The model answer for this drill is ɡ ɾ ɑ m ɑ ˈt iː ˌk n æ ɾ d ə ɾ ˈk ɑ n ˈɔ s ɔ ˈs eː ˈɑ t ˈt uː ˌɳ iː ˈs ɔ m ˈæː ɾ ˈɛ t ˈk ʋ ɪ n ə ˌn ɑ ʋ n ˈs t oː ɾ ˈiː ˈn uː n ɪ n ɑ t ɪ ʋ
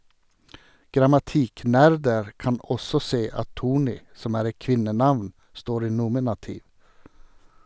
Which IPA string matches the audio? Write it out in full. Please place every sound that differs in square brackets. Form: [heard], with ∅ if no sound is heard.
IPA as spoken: ɡ ɾ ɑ m ɑ ˈt iː ˌk n æ ɾ d ə ɾ ˈk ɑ n ˈɔ s ɔ ˈs eː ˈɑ t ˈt uː ˌɳ iː ˈs ɔ m ˈæː ɾ ˈɛ t ˈk ʋ ɪ n ə ˌn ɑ ʋ n ˈs t oː ɾ ˈiː ˈn uː [m] ɪ n ɑ t ɪ ʋ